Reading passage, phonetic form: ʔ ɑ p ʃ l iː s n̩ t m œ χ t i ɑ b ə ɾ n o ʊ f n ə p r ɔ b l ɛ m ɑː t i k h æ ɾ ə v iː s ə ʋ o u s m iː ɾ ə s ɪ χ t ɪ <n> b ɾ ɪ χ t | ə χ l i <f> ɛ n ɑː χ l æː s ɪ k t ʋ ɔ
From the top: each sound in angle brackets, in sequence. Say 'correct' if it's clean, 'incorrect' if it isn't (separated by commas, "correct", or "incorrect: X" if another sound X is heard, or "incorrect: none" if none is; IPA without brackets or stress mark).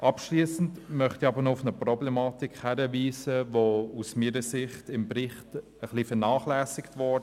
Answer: incorrect: m, correct